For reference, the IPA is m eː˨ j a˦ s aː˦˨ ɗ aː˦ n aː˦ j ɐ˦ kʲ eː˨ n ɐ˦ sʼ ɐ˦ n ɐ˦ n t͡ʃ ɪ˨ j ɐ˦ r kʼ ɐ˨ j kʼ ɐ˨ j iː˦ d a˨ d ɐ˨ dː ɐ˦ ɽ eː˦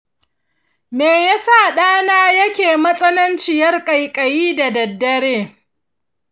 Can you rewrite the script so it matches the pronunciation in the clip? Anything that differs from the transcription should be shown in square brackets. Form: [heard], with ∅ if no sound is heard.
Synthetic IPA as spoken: m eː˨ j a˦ s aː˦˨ ɗ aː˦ n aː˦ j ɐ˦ kʲ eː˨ [m] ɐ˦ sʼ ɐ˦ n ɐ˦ n t͡ʃ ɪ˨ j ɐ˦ r kʼ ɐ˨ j kʼ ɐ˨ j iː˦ d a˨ d ɐ˨ dː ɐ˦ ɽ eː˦